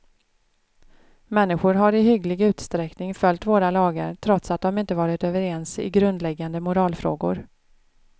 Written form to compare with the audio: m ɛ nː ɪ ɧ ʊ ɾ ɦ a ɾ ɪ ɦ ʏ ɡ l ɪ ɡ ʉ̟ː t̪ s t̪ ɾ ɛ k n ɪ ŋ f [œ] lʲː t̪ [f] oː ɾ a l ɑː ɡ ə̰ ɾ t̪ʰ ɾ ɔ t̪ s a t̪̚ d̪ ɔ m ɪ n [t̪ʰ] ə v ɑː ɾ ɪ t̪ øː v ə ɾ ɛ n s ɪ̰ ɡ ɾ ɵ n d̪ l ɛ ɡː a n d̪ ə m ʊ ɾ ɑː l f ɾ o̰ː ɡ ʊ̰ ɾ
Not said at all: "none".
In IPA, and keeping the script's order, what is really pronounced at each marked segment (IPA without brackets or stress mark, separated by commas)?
œ, v, t̪